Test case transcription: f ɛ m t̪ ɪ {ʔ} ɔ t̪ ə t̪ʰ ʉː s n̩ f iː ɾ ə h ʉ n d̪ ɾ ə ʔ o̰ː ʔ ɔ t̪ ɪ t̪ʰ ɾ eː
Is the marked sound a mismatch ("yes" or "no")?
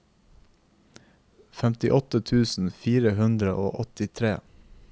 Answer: no